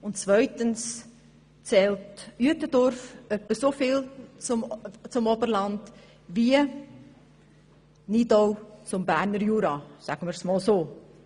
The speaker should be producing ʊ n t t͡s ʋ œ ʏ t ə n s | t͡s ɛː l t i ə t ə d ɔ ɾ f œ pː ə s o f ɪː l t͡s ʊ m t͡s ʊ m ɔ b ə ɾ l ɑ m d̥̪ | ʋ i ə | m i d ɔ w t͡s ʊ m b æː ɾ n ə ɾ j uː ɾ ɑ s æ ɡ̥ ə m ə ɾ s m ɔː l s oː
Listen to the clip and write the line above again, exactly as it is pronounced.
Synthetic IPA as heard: ʊ n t t͡s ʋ œ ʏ t ə n s | t͡s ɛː l t y ə t ə d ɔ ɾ f œ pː ə s o f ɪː l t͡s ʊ m t͡s ʊ m ɔ b ə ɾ l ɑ n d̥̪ | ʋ i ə | n i d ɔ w t͡s ʊ m b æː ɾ n ə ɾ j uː ɾ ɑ s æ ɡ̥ ə m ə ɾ s m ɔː l s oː